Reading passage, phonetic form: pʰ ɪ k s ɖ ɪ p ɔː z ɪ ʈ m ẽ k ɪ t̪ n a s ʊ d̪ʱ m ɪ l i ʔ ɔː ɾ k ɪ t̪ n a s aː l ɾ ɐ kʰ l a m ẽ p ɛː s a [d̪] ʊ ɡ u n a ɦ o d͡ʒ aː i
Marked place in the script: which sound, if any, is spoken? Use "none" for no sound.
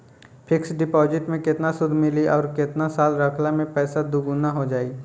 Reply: d̪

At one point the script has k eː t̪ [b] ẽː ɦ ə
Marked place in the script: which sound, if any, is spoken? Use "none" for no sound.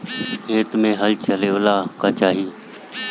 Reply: m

